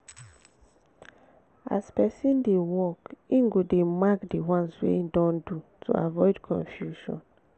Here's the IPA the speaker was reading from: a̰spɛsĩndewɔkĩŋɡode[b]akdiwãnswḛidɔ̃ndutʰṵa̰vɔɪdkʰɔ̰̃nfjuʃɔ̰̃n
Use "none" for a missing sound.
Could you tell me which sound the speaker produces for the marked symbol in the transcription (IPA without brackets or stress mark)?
m